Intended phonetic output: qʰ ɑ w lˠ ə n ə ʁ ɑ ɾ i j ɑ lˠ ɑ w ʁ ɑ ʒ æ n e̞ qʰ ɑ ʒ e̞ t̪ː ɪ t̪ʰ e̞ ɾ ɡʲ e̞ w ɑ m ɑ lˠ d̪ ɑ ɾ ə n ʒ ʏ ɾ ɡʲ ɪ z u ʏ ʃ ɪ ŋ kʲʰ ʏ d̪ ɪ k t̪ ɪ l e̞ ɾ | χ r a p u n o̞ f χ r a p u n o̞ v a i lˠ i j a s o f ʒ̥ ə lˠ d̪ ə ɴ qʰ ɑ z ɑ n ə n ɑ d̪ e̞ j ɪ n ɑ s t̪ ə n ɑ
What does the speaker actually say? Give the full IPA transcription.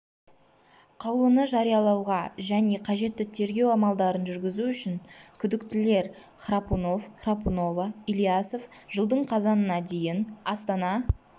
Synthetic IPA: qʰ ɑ w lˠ ə n ə ʒ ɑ ɾ i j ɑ lˠ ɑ w ʁ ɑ ʒ æ n e̞ qʰ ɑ ʒ e̞ t̪ː ɪ t̪ʰ e̞ ɾ ɡʲ e̞ w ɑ m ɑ lˠ d̪ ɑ ɾ ə n ʒ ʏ ɾ ɡʲ ɪ z u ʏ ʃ ɪ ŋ kʲʰ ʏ d̪ ɪ k t̪ ɪ l e̞ ɾ | χ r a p u n o̞ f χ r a p u n o̞ v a i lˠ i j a s o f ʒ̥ ə lˠ d̪ ə ɴ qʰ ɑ z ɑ n ə n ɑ d̪ e̞ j ɪ n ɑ s t̪ ɑ n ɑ